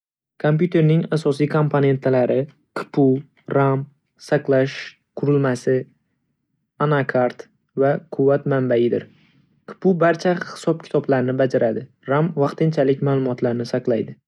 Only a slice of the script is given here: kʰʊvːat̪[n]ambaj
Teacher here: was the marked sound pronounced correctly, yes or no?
no